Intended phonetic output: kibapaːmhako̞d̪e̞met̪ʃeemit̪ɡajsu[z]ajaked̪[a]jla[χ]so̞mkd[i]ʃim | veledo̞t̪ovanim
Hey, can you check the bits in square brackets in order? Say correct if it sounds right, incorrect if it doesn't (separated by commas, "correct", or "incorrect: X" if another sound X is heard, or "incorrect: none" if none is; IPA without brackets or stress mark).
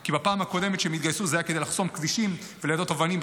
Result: correct, incorrect: e, correct, correct